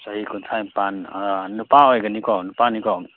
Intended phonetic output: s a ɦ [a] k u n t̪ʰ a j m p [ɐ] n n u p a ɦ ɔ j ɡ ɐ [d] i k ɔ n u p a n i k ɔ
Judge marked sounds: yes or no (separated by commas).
no, no, no